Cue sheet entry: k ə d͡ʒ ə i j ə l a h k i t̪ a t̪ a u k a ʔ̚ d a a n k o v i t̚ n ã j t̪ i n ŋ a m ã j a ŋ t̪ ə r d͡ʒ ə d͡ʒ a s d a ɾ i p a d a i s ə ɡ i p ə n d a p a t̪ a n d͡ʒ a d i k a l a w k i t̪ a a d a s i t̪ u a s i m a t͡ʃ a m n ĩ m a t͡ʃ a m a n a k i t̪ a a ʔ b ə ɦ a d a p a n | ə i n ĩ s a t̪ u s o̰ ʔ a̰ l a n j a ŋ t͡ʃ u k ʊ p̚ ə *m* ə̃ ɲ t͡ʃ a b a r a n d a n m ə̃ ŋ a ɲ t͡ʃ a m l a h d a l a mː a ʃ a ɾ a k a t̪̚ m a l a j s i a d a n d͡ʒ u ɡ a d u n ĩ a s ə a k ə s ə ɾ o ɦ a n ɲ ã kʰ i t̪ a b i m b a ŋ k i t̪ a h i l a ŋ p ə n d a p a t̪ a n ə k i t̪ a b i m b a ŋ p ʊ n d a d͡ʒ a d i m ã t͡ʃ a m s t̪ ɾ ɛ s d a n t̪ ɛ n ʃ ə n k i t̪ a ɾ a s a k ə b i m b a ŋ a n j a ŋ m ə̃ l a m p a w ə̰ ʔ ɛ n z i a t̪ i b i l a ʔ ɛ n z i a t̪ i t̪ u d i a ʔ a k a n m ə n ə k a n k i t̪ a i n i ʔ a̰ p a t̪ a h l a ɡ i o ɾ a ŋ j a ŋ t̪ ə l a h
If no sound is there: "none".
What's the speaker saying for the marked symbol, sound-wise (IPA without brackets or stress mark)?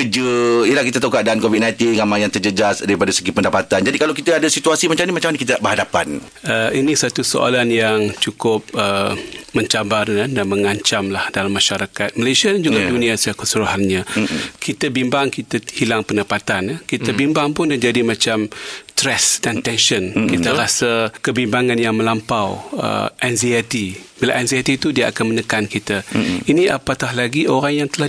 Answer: m